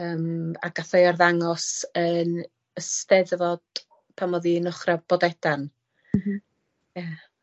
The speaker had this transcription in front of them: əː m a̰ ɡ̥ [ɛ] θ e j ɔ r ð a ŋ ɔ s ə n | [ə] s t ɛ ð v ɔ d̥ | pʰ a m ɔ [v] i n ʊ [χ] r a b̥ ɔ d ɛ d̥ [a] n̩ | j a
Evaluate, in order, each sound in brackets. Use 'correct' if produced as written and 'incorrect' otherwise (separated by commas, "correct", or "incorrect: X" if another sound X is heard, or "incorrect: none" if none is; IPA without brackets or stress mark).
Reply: incorrect: a, correct, incorrect: ð, correct, correct